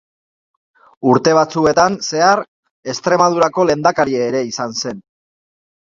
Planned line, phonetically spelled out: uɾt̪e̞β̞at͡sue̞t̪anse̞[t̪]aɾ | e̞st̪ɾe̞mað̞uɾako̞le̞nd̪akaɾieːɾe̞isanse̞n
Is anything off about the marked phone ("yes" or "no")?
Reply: yes